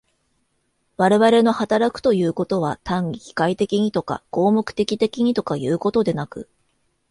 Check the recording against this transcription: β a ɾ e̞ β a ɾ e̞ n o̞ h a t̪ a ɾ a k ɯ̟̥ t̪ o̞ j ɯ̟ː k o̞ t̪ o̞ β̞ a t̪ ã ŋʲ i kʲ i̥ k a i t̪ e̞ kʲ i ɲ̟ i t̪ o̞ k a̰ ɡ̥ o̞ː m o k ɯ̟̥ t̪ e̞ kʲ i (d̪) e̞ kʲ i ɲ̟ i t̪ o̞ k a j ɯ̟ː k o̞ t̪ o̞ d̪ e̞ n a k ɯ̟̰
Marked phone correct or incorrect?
incorrect